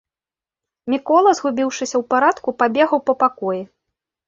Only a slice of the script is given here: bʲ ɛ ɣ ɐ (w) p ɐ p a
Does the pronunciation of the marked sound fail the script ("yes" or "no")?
no